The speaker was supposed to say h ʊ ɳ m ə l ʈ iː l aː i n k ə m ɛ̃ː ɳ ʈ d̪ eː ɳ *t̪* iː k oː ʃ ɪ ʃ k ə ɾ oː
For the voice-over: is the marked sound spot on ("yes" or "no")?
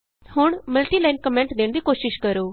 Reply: no